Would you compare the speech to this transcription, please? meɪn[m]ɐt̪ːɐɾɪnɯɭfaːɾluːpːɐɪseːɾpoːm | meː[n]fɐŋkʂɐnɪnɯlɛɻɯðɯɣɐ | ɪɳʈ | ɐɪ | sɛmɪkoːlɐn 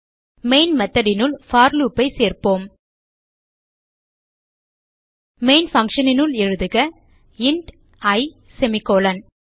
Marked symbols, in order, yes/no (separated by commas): yes, yes